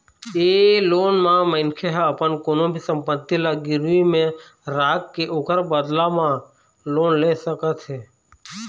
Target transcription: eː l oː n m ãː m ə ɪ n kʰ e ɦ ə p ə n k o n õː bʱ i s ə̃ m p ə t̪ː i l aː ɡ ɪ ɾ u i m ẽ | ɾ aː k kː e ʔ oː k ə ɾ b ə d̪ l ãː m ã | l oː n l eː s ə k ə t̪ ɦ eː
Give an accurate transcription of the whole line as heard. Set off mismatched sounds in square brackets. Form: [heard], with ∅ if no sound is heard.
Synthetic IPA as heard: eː l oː n m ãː m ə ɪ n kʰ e ɦ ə p ə n k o n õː bʱ i s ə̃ m p ə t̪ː i l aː ɡ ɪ ɾ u i m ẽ | ɾ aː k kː e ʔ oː k ə ɾ b ə d̪ l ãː m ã | l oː n l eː s ə k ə t̪ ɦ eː